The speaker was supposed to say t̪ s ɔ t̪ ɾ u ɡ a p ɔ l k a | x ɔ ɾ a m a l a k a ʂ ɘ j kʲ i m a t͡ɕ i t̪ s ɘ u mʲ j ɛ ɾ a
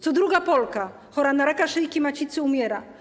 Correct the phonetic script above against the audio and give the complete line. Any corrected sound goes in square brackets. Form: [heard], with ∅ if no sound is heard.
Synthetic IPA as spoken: t̪ s ɔ [d̪] ɾ u ɡ a p ɔ l k a | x ɔ ɾ a [n] a [ɾ] a k a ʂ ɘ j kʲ i m a t͡ɕ i t̪ s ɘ u mʲ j ɛ ɾ a